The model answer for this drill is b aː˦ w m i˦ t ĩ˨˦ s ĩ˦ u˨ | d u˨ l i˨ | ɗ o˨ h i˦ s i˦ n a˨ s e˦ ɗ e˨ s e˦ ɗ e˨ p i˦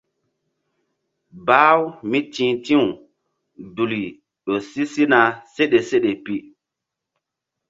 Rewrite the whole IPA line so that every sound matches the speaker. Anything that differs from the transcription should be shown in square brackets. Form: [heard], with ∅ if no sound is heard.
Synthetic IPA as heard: b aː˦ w m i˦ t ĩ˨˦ [t] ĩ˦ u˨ | d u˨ l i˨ | ɗ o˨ [s] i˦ s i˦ n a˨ s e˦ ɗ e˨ s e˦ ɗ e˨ p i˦